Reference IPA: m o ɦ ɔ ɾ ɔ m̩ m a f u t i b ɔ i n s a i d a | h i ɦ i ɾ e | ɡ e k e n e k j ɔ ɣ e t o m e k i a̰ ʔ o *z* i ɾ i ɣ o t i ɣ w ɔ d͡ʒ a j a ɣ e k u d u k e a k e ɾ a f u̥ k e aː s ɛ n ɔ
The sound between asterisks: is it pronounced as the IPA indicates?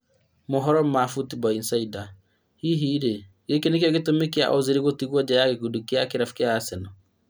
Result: yes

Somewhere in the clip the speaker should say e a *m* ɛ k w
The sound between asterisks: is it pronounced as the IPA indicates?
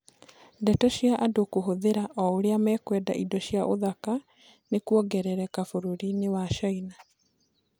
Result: yes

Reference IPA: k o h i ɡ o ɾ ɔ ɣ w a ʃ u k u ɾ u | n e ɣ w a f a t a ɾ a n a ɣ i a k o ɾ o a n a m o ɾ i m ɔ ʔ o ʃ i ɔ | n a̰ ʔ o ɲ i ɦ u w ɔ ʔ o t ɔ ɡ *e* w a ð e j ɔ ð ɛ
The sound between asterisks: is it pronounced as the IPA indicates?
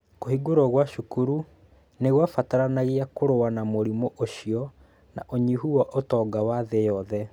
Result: no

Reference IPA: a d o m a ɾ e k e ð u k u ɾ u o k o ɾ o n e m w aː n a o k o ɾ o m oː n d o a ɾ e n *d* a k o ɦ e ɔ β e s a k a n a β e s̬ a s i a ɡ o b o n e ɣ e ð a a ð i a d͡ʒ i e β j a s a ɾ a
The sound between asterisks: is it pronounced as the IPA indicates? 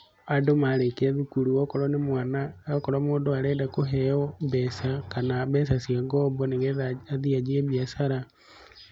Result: yes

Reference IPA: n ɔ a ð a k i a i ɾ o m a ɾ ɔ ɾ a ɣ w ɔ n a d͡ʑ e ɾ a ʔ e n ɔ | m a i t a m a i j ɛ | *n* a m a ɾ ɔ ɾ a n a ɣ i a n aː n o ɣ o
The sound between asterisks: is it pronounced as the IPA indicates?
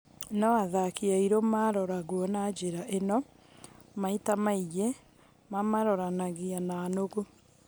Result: no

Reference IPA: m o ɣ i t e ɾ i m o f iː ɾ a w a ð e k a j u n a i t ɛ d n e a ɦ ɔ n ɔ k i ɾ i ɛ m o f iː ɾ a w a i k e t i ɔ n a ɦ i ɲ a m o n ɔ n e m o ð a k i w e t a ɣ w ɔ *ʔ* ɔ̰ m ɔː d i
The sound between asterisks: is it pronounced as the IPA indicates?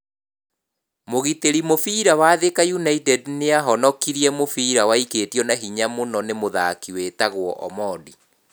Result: yes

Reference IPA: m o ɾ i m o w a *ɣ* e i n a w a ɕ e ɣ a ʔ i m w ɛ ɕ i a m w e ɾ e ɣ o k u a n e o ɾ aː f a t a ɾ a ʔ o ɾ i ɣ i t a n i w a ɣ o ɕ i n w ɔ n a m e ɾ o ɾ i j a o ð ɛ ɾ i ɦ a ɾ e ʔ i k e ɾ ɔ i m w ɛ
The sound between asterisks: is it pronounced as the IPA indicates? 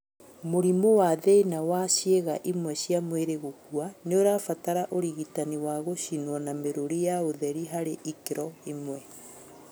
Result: no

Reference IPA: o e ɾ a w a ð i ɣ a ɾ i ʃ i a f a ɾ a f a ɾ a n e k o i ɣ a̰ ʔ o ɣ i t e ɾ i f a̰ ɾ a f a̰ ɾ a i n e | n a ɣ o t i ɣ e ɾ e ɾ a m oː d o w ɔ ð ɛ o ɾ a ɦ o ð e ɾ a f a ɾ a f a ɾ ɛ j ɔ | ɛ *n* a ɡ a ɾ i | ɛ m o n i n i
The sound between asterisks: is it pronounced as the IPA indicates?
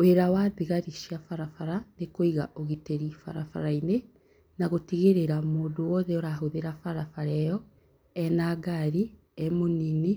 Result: yes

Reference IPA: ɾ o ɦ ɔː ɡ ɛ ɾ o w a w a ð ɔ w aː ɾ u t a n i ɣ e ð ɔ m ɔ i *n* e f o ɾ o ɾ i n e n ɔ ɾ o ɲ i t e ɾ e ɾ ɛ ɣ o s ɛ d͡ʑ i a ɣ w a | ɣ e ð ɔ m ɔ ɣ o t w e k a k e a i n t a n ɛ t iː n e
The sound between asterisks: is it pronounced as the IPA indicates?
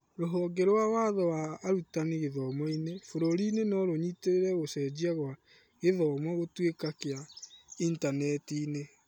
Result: yes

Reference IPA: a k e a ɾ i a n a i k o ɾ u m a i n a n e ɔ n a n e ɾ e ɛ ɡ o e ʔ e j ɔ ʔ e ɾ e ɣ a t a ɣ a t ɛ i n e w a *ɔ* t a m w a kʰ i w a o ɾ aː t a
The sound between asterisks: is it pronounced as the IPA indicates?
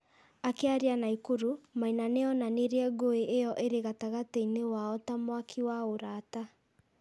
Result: yes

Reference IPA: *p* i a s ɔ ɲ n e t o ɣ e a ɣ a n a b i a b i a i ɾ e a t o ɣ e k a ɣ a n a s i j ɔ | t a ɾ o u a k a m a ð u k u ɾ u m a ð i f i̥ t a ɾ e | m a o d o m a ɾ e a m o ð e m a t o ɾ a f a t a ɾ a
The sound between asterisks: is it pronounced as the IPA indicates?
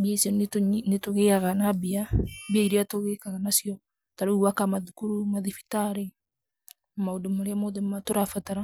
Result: no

